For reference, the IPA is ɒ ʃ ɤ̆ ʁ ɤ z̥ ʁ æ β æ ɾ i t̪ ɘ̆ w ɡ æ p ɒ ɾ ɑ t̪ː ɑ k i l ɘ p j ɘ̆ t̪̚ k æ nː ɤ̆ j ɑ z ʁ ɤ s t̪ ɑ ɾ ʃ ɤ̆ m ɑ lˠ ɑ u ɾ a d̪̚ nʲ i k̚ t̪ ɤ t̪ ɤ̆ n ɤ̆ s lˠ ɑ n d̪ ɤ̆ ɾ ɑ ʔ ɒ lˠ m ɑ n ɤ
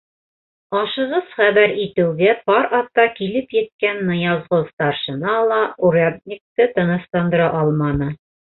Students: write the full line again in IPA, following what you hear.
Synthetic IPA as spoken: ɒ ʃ ɤ̆ ʁ ɤ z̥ χ æ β æ ɾ i t̪ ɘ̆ w ɡ æ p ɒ ɾ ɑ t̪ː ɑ k i l ɘ p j ɘ̆ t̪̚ k æ nː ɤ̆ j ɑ z ʁ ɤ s t̪ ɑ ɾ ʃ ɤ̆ n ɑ lˠ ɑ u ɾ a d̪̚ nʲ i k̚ t̪ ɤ t̪ ɤ̆ n ɤ̆ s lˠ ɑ n d̪ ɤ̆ ɾ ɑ ʔ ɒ lˠ m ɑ n ɤ